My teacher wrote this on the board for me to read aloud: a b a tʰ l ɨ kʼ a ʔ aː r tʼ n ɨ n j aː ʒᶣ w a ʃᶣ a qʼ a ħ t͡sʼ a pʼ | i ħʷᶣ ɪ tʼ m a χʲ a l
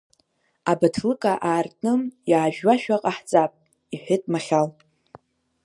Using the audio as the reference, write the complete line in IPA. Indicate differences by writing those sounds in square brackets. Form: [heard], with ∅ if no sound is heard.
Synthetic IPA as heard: a b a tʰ l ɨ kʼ a ʔ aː r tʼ n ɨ [m] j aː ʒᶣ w a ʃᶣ a qʼ a ħ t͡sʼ a pʼ | i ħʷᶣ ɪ tʼ m a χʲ a l

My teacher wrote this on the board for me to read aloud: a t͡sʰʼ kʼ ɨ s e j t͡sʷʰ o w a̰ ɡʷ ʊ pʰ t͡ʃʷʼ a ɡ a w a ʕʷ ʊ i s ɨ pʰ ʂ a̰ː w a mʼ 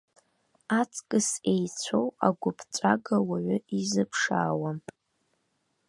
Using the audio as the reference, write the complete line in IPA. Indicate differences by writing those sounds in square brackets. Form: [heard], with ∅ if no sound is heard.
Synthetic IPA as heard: a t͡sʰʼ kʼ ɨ s e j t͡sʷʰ o w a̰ ɡʷ ʊ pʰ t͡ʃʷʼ a ɡ a w a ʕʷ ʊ i [z] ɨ pʰ ʂ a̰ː w a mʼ

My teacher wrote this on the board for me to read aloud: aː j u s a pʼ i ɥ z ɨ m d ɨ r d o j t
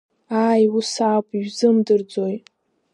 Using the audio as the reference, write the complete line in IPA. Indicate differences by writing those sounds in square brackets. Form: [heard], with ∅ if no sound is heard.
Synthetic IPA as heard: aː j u s a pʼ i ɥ z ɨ m d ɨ r [d͡z] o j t

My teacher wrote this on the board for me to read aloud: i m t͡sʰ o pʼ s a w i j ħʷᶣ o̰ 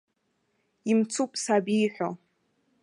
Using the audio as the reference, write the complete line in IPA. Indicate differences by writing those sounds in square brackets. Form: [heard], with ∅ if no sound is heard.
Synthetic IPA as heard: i m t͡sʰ [u] pʼ s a [b] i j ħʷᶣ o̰

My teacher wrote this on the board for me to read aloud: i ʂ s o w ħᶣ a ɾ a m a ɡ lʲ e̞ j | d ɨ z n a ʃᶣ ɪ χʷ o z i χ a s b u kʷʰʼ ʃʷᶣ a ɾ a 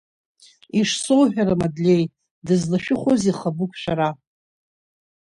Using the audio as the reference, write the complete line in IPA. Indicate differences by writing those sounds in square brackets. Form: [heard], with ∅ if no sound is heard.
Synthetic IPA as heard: i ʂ s o w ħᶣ a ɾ a m a [d] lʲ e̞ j | d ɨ z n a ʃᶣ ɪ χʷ o z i χ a [∅] b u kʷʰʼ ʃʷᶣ a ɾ a

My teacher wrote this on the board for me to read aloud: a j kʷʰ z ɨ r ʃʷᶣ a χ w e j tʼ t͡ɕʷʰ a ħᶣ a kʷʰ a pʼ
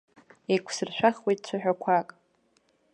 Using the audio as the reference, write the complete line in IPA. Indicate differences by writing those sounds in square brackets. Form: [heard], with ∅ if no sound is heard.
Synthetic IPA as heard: [e] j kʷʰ [s] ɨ r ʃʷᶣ a χ w e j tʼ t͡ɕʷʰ a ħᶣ a kʷʰ a [kʼ]

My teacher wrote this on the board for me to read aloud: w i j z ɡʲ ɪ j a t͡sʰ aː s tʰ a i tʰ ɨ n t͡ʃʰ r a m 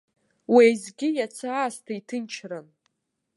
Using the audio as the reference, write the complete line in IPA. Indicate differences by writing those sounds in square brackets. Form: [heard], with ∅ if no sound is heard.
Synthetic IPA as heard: w [e] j z ɡʲ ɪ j a t͡sʰ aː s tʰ a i tʰ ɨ n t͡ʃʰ r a [n]

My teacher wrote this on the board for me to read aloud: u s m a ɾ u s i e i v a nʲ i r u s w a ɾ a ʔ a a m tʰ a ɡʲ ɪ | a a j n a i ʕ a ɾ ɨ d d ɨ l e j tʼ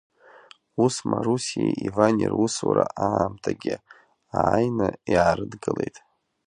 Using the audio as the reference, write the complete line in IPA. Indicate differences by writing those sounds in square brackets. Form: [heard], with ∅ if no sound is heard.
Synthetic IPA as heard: u s m a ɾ u s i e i v a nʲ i r u s w a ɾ a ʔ a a m tʰ a ɡʲ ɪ | a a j n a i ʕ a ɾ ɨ d [ɡ] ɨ l e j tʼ

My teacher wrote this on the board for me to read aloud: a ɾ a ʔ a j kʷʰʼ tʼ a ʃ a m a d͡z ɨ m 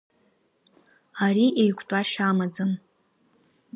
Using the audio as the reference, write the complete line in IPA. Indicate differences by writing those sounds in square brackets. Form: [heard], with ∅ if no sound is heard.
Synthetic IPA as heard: a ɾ [i] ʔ [e] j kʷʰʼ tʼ a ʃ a m a d͡z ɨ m

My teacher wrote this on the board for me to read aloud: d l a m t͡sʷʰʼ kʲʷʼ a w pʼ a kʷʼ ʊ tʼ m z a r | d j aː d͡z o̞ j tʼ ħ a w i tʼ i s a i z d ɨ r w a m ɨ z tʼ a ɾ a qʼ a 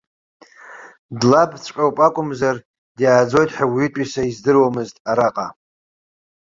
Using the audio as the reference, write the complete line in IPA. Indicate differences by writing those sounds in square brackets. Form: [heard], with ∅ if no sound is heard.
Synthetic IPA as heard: d l a [b] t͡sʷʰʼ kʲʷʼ a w pʼ a kʷʼ ʊ [∅] m z a r | d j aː d͡z o̞ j tʼ ħ a w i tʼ i s a i z d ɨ r w a m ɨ z tʼ a ɾ a qʼ a

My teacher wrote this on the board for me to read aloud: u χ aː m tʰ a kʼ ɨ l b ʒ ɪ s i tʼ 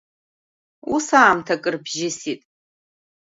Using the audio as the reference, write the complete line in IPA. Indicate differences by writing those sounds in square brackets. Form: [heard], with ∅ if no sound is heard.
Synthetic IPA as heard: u [s] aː m tʰ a kʼ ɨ [r] b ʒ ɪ s i tʼ

